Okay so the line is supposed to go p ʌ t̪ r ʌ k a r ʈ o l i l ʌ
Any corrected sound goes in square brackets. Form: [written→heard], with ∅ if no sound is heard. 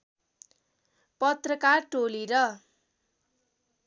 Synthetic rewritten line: p ʌ t̪ r ʌ k a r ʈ o l i [l→ɾ] ʌ